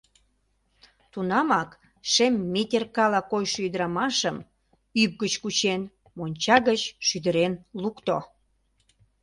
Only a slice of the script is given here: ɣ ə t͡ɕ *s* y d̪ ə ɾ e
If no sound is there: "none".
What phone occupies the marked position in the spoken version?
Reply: ʃ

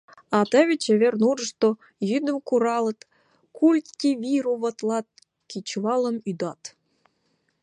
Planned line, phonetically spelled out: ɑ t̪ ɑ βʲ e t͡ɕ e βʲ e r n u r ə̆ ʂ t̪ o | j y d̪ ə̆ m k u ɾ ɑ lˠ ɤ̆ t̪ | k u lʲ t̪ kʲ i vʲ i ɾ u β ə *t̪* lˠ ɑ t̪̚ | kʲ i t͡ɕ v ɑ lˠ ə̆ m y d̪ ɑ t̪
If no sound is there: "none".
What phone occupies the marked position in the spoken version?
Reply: t̪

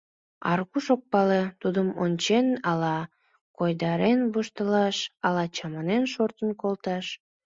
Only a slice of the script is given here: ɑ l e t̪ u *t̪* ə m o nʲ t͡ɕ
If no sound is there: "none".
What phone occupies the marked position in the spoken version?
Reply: d̪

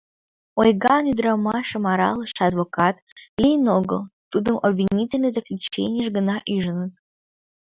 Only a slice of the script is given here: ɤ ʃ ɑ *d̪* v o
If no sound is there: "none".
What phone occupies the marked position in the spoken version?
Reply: d̪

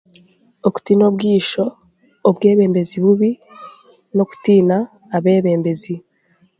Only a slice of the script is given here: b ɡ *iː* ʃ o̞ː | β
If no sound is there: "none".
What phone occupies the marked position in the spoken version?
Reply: iː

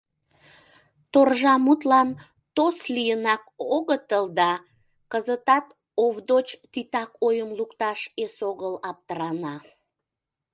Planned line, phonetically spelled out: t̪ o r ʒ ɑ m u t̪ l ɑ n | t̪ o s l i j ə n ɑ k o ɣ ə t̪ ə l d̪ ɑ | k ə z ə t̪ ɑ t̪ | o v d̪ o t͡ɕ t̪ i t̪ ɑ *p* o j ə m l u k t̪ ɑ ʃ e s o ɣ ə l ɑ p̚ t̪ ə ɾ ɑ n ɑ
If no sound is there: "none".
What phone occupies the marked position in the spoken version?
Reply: k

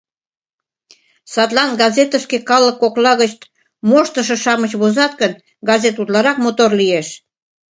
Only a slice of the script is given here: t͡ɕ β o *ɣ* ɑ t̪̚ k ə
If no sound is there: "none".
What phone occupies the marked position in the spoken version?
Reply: z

